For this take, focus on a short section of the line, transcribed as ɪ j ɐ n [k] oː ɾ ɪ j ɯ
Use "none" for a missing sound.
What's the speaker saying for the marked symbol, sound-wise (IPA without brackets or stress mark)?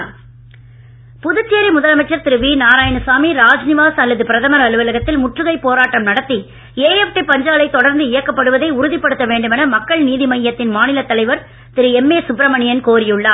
k